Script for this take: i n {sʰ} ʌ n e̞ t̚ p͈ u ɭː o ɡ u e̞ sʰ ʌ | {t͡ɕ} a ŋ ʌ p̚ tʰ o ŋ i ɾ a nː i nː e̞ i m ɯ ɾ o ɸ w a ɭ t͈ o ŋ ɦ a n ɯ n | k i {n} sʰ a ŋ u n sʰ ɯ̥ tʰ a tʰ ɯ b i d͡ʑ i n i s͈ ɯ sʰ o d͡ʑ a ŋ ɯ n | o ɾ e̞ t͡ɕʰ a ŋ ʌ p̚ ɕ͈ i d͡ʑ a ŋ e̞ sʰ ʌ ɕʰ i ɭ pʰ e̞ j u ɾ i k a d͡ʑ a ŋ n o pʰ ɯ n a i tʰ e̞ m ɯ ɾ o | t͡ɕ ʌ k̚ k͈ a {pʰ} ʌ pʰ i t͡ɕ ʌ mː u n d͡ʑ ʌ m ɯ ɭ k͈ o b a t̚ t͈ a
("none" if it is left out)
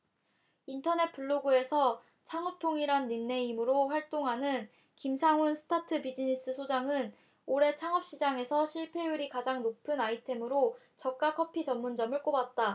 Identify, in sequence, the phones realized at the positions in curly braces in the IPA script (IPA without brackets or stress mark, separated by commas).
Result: tʰ, t͡ɕʰ, m, kʰ